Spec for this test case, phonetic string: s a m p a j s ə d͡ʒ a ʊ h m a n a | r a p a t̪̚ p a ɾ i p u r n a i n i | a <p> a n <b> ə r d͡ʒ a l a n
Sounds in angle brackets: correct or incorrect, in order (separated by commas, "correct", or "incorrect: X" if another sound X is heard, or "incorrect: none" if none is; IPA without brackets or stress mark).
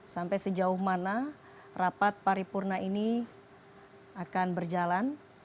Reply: incorrect: k, correct